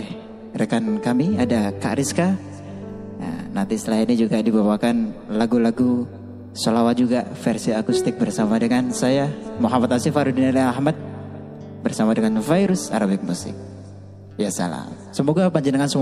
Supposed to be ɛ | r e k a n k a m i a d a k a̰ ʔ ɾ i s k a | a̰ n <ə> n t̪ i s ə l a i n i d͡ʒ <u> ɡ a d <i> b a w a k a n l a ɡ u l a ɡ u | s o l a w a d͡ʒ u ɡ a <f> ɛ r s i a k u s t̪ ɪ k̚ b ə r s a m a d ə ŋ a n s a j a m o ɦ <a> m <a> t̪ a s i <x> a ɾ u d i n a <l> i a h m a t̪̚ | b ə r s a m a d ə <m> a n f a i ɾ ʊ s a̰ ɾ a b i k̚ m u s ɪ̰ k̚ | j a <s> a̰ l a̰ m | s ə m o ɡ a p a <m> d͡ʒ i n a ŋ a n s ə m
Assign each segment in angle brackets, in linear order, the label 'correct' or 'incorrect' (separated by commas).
incorrect, correct, correct, correct, correct, correct, incorrect, correct, incorrect, correct, incorrect